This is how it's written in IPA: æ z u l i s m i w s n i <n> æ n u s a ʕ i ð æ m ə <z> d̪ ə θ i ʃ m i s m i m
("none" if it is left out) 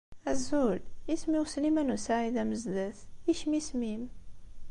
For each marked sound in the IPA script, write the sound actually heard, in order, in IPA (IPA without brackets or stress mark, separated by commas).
m, z